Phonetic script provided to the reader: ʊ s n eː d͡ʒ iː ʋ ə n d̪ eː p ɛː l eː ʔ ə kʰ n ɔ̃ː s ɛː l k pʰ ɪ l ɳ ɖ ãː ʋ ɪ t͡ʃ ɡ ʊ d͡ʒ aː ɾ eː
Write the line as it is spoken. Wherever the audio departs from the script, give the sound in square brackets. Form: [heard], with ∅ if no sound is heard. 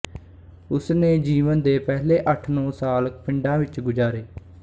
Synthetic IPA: ʊ s n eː d͡ʒ iː ʋ ə n d̪ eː p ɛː l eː ʔ ə [ʈʰ] n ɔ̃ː s [aː] l k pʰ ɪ [∅] ɳ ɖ ãː ʋ ɪ t͡ʃ ɡ ʊ d͡ʒ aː ɾ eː